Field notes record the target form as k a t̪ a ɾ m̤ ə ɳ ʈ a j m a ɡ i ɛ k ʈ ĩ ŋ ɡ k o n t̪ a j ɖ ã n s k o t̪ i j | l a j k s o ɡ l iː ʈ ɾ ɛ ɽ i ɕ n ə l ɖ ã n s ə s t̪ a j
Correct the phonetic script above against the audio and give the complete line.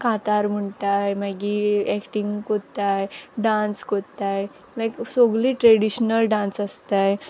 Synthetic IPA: k a t̪ a ɾ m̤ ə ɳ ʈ a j m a ɡ i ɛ k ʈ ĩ ŋ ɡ k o t̪ a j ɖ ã n s k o t̪ a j | l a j k s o ɡ l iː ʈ ɾ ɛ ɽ i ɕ n ə l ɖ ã n s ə s t̪ a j

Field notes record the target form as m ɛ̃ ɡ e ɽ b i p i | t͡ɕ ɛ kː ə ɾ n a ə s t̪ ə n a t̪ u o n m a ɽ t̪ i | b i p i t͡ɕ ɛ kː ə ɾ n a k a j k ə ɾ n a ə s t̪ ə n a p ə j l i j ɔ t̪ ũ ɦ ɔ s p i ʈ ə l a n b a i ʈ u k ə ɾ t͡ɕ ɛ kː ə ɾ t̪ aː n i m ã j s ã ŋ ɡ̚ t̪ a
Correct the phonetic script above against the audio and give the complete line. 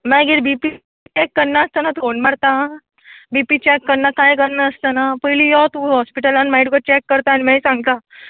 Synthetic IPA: m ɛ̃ ɡ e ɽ b i p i | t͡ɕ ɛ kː ə ɾ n a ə s t̪ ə n a t̪ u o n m a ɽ t̪ a | b i p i t͡ɕ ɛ kː ə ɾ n a k a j k ə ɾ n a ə s t̪ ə n a p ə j l i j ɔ t̪ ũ ɦ ɔ s p i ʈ ə l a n m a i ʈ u k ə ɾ t͡ɕ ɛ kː ə ɾ t̪ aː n i m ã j s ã ŋ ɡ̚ t̪ a

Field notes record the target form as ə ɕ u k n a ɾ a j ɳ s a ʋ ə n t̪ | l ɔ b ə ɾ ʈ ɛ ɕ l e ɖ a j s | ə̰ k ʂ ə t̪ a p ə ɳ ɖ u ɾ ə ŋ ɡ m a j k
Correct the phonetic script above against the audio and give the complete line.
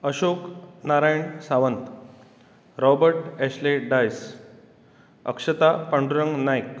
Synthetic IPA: ə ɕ o k n a ɾ a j ɳ s a ʋ ə n t̪ | ɾ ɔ b ə ɾ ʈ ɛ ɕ l e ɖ a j s | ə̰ k ʂ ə t̪ a p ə ɳ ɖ u ɾ ə ŋ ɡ n a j k

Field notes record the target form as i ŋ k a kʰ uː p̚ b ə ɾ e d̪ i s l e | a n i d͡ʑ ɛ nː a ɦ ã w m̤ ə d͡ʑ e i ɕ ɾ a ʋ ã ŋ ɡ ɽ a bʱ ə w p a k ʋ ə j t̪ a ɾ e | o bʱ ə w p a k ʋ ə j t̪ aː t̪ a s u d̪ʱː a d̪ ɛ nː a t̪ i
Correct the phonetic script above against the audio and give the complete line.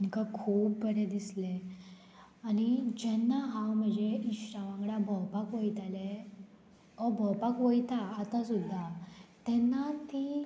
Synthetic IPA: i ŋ k a kʰ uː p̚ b ə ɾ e d̪ i s l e | a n i d͡ʑ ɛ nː a ɦ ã w m̤ ə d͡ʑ e i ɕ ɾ a ʋ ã ŋ ɡ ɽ a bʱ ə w p a k ʋ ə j t̪ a l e | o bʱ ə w p a k ʋ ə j t̪ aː t̪ a s u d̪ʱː a t̪ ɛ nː a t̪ i

